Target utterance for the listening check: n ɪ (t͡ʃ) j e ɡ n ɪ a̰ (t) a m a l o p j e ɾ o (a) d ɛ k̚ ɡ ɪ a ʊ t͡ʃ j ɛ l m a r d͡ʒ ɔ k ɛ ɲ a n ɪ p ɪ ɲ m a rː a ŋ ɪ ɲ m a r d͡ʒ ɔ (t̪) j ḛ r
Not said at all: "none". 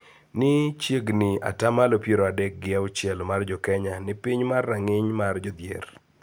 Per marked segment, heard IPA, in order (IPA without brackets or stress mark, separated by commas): t͡ʃ, t, a, d̪